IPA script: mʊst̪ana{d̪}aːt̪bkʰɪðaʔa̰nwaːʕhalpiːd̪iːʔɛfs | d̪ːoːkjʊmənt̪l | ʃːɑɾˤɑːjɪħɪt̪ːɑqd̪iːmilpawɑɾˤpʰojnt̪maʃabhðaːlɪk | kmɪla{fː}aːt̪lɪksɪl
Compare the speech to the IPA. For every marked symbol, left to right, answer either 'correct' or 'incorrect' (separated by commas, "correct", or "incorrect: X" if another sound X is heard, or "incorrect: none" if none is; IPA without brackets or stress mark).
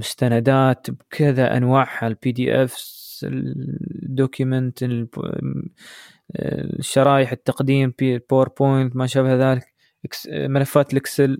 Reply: correct, correct